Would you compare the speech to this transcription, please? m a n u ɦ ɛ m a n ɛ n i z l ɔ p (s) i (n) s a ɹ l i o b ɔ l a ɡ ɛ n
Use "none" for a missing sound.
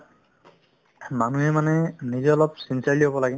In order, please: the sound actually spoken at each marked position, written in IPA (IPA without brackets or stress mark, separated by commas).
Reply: s, n